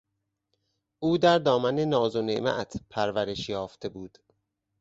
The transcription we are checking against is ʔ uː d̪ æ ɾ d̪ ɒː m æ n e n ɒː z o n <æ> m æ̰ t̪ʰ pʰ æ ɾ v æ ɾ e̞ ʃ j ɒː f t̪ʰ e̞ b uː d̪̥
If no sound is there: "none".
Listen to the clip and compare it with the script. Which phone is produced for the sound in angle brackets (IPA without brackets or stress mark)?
e